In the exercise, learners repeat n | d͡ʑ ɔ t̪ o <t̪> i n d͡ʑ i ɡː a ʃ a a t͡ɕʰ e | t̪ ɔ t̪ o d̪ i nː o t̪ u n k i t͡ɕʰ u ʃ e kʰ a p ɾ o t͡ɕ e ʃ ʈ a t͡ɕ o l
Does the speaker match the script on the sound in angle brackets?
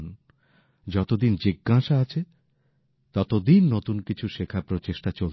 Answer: no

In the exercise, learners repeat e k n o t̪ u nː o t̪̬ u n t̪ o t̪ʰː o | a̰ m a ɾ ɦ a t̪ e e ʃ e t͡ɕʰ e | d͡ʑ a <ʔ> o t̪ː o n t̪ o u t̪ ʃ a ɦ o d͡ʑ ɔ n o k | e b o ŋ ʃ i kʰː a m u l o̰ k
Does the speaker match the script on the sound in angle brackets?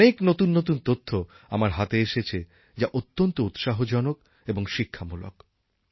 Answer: yes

